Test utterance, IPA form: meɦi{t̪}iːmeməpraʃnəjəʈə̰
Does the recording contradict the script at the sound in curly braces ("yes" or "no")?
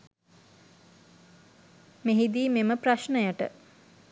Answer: yes